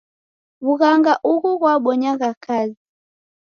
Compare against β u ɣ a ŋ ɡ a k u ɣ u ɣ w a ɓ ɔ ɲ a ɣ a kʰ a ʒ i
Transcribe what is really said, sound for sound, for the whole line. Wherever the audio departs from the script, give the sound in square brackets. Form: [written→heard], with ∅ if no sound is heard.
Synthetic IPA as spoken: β u ɣ a ŋ ɡ a [k→ʔ] u ɣ u ɣ w a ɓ ɔ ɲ a ɣ a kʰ a [ʒ→z] i